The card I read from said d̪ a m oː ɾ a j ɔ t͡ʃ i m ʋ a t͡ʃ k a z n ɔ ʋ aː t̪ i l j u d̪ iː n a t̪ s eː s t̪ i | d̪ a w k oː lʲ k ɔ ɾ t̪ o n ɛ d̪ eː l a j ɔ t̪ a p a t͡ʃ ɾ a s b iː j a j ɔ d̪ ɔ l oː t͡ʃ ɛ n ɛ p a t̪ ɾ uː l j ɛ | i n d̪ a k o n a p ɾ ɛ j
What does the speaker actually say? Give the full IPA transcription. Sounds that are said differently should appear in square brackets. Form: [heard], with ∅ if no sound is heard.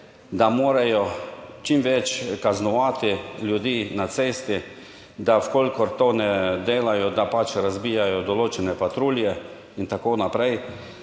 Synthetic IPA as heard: d̪ a m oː ɾ a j ɔ t͡ʃ i m ʋ [ɛ] t͡ʃ k a z n ɔ ʋ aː t̪ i l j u d̪ iː n a t̪ s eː s t̪ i | d̪ a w k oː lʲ k ɔ ɾ t̪ o n ɛ d̪ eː l a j ɔ [d̪] a p a t͡ʃ ɾ a [z] b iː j a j ɔ d̪ ɔ l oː t͡ʃ ɛ n ɛ p a t̪ ɾ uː l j ɛ | i n [t̪] a k o n a p ɾ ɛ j

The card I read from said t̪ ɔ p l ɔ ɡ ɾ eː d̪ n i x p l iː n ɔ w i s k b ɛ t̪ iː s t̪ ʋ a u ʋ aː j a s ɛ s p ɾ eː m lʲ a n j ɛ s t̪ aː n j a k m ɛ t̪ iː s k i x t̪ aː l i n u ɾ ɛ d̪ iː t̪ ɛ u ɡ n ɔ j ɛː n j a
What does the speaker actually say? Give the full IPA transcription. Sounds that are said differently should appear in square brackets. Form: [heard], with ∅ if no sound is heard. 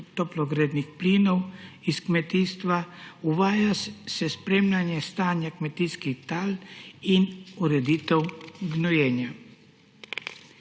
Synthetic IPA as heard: t̪ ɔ p l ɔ ɡ ɾ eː d̪ n i x p l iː n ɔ w i s k [m] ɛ t̪ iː s t̪ ʋ a u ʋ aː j a s ɛ s p ɾ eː m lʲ a n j ɛ s t̪ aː n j a k m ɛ t̪ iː s k i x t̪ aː l i n u ɾ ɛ d̪ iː t̪ ɛ [w] ɡ n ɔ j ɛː n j a

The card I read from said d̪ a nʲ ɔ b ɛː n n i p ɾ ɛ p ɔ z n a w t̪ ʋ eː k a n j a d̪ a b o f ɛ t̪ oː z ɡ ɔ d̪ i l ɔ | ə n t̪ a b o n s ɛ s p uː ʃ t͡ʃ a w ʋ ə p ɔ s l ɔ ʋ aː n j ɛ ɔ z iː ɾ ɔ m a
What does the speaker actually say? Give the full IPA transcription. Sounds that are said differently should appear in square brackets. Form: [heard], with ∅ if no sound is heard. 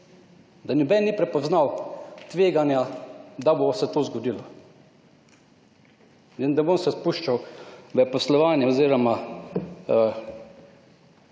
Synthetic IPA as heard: d̪ a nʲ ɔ b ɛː n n i p ɾ ɛ p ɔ z n a w t̪ ʋ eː [ɡ] a n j a d̪ a b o [s] ɛ t̪ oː z ɡ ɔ d̪ i l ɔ | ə n [d̪] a b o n s ɛ s p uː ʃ t͡ʃ a w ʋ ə p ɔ s l ɔ ʋ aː n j ɛ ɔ z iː ɾ ɔ m a

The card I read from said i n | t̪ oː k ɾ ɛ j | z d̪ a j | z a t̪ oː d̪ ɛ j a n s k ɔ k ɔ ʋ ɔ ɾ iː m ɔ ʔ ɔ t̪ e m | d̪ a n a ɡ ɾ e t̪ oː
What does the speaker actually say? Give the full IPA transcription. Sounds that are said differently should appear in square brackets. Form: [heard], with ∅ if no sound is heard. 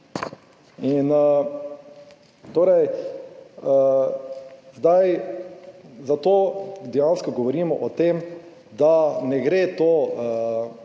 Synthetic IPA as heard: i n | t̪ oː [∅] ɾ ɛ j | z d̪ a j | z a t̪ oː d̪ ɛ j a n s k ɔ [ɡ] ɔ ʋ ɔ ɾ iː m ɔ ʔ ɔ t̪ e m | d̪ a n [ɛ] ɡ ɾ e t̪ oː

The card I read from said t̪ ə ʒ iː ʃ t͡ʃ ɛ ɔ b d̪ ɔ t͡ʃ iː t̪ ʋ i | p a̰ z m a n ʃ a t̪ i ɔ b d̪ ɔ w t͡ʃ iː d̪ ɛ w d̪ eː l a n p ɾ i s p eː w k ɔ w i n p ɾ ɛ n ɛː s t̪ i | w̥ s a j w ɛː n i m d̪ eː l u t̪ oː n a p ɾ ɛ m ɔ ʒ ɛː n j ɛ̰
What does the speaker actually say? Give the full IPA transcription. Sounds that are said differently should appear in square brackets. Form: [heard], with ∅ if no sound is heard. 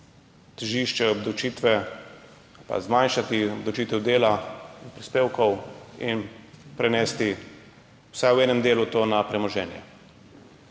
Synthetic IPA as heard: t̪ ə ʒ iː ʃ t͡ʃ ɛ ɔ b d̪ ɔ t͡ʃ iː t̪ ʋ [ɛ] | p a̰ z m a n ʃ a t̪ i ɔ b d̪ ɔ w t͡ʃ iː [t̪] ɛ w d̪ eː l a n p ɾ i s p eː w k ɔ w i n p ɾ ɛ n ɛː s t̪ i | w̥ s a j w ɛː n [ɛ] m d̪ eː l u t̪ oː n a p ɾ ɛ m ɔ ʒ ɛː n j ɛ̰

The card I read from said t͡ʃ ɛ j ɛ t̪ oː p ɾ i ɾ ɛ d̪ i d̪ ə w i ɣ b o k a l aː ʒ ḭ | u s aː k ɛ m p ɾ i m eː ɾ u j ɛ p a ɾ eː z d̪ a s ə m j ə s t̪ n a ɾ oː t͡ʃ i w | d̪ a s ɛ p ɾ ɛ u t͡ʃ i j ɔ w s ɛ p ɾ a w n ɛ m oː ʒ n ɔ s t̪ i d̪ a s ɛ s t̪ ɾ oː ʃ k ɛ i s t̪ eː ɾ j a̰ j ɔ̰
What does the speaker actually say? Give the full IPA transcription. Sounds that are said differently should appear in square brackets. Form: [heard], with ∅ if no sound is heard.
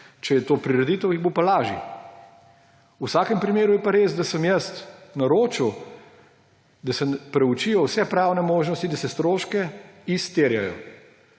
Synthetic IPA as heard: t͡ʃ ɛ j ɛ t̪ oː p ɾ i ɾ ɛ d̪ i [t̪] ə w i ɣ b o [p] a l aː ʒ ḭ | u s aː k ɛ m p ɾ i m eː ɾ u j ɛ p a ɾ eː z d̪ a s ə m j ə s t̪ n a ɾ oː t͡ʃ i w | d̪ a s ɛ p ɾ ɛ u t͡ʃ i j ɔ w s ɛ p ɾ a w n ɛ m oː ʒ n ɔ s t̪ i d̪ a s ɛ s t̪ ɾ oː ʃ k ɛ i s t̪ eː ɾ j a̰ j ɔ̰

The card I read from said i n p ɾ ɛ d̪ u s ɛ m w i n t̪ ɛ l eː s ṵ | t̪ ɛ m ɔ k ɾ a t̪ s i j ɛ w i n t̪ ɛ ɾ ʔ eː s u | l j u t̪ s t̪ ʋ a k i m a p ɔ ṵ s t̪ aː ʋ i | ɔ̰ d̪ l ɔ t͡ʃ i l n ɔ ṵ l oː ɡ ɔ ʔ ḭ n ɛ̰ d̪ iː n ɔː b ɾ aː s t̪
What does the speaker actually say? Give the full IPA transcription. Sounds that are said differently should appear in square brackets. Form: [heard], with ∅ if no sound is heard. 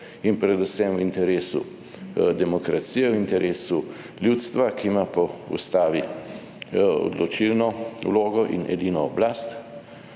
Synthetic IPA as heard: i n p ɾ ɛ d̪ u s ɛ m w i n t̪ ɛ [ɾ] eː s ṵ | [d̪] ɛ m ɔ k ɾ a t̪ s i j ɛ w i n t̪ ɛ ɾ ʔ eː s u | l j u t̪ s t̪ ʋ a k i m a p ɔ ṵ s t̪ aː ʋ i | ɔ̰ d̪ l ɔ t͡ʃ i l n ɔ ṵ l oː ɡ ɔ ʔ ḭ n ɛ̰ d̪ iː n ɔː b [l] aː s t̪

